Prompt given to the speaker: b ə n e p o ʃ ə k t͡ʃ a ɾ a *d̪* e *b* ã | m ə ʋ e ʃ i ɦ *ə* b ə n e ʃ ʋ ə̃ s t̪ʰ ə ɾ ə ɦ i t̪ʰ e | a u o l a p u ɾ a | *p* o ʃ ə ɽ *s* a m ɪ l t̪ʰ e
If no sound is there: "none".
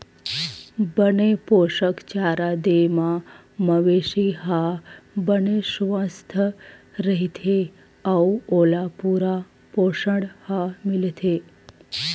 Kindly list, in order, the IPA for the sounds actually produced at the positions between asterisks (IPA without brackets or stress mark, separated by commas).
d̪, m, a, p, h